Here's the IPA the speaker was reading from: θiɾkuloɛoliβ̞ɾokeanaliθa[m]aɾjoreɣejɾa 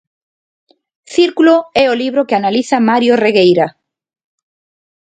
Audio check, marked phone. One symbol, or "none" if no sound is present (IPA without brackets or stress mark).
m